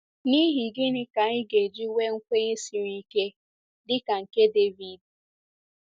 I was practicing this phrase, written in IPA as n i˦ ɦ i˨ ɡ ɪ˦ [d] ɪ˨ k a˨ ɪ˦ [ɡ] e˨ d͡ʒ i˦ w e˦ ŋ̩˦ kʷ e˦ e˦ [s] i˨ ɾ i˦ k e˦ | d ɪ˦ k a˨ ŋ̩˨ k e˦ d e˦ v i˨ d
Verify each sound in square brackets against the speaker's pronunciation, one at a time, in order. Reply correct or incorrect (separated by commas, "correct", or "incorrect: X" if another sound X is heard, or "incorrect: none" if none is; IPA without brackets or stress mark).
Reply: incorrect: n, correct, correct